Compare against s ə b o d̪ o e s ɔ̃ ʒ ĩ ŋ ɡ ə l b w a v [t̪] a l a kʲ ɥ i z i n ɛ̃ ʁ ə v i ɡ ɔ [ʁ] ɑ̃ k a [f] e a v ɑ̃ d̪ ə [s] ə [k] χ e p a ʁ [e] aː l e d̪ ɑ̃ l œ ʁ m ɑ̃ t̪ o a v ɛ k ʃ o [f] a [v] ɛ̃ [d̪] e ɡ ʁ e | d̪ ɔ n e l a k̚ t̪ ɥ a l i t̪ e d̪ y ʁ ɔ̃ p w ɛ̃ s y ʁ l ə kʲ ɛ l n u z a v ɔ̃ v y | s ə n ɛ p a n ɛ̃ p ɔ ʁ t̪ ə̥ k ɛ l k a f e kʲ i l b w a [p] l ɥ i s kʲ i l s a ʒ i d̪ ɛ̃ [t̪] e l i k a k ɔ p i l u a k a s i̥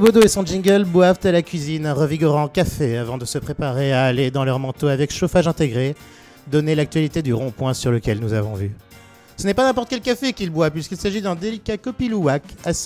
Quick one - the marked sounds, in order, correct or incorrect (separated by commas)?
correct, correct, correct, correct, incorrect, correct, correct, incorrect, incorrect, correct, incorrect